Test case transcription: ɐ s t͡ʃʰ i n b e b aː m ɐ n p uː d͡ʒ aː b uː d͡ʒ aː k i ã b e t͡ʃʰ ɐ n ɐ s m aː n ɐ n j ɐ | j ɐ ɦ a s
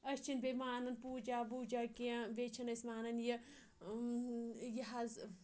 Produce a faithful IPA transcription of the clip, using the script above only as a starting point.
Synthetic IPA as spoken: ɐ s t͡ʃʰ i n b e m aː n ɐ n p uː d͡ʒ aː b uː d͡ʒ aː k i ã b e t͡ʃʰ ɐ n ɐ s m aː n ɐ n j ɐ | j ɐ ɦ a z